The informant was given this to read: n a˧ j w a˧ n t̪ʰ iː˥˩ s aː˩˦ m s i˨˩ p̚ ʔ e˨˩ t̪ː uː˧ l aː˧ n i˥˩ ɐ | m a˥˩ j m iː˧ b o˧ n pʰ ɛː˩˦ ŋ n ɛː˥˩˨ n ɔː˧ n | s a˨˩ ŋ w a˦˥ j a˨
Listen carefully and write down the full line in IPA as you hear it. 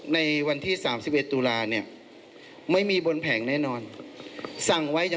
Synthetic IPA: n a˧ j w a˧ n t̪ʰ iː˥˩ s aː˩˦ m s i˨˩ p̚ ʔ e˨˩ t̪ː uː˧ l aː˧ n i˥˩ ɐ | m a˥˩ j m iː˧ b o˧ n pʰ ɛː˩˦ ŋ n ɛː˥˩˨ n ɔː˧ n | s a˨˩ ŋ w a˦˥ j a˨